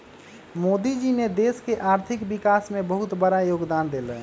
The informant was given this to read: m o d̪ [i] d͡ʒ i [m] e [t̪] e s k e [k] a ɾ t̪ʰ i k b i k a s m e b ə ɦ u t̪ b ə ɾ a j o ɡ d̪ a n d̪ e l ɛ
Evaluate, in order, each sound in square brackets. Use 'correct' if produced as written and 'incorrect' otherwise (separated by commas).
correct, incorrect, incorrect, incorrect